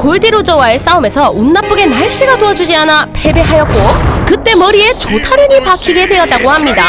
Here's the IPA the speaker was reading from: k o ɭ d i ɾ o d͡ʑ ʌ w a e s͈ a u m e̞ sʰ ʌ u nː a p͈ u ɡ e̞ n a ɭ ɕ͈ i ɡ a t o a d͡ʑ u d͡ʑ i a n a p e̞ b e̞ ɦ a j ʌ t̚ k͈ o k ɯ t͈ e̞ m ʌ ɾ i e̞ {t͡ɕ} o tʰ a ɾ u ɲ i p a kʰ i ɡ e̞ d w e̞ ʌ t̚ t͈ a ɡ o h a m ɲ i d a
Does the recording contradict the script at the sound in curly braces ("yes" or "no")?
no